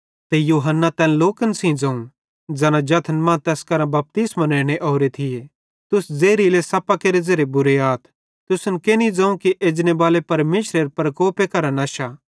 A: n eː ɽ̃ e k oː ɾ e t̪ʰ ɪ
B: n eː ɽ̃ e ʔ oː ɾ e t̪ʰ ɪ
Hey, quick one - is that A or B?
B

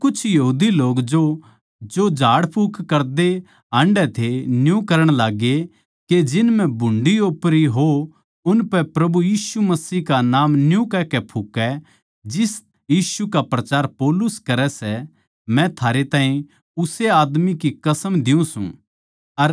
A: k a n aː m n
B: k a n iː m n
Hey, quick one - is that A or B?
A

